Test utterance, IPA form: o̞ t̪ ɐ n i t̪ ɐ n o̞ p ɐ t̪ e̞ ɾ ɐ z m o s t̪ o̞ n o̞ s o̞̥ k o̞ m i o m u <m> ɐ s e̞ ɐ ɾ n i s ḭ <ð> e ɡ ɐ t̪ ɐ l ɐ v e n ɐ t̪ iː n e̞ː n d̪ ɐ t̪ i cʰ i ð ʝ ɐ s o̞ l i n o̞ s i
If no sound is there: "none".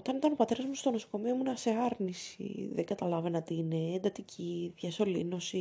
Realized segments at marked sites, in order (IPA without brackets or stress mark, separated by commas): n, ð